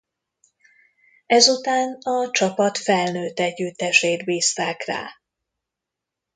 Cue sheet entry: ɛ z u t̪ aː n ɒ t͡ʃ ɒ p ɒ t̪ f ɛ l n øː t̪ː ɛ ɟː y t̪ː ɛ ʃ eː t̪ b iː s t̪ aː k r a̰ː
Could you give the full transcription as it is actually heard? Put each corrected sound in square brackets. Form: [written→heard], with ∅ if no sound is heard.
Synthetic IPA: ɛ z u t̪ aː n ɒ t͡ʃ ɒ p ɒ t̪ f ɛ l n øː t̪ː ɛ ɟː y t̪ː ɛ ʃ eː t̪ b iː s t̪ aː k r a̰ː